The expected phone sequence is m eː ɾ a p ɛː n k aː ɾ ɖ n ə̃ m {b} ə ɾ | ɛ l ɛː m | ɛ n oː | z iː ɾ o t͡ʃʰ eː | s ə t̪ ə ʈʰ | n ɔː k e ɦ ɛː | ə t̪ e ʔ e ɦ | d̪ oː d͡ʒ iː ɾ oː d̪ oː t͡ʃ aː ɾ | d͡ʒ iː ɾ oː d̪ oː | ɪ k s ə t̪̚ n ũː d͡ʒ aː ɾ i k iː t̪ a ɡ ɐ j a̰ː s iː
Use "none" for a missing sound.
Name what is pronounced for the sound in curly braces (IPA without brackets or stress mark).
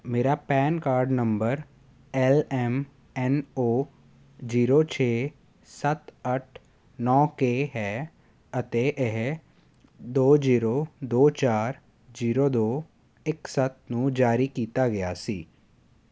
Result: b